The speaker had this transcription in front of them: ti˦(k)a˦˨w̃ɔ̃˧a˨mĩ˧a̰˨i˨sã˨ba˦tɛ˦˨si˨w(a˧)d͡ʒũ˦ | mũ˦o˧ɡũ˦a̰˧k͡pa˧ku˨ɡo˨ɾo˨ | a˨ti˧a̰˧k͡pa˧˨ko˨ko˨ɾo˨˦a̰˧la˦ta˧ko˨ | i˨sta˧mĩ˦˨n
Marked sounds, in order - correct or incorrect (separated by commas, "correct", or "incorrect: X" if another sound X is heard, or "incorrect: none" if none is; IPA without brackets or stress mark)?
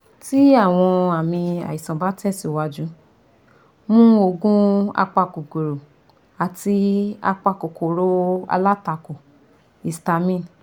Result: incorrect: none, correct